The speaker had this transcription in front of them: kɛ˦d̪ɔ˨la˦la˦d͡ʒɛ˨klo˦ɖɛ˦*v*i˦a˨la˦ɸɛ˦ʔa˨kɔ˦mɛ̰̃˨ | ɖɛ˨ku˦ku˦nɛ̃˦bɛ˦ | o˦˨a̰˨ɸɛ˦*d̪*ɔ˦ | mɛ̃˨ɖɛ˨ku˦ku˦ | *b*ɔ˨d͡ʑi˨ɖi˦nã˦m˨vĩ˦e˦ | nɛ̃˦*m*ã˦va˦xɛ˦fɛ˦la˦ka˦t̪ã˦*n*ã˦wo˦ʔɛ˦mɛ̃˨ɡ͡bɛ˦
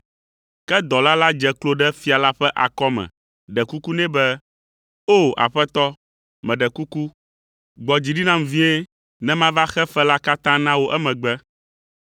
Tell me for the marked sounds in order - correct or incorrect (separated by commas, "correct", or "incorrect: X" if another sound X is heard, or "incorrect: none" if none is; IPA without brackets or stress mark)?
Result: incorrect: f, incorrect: t̪, incorrect: ɡ͡b, correct, correct